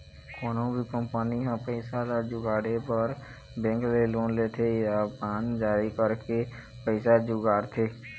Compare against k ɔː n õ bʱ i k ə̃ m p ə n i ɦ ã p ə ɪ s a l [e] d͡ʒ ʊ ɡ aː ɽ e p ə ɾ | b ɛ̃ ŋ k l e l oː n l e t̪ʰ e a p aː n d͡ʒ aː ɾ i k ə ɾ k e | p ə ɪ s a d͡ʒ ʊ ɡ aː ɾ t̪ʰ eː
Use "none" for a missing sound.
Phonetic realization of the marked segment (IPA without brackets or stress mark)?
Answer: a